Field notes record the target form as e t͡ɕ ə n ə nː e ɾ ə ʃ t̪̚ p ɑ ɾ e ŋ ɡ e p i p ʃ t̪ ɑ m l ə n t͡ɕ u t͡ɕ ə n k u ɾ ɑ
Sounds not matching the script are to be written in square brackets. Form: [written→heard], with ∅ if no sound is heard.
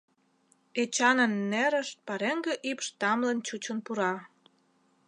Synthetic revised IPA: e t͡ɕ [ə→ɑ] n ə nː e ɾ ə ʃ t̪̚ p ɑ ɾ e ŋ ɡ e [p→ʔ] i p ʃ t̪ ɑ m l ə n t͡ɕ u t͡ɕ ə n [k→p] u ɾ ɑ